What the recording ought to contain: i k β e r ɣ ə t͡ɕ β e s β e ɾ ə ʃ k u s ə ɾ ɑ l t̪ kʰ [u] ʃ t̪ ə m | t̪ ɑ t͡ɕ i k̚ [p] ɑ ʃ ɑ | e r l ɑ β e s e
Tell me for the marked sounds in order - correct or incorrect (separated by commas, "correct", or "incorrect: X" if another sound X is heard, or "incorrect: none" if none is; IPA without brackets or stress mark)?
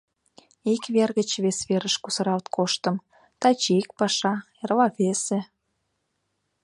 incorrect: o, correct